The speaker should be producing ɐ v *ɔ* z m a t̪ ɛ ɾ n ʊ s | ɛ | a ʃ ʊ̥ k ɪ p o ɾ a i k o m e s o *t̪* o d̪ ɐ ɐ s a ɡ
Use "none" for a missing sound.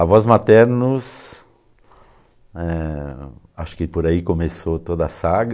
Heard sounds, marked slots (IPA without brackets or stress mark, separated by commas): ɔ, t̪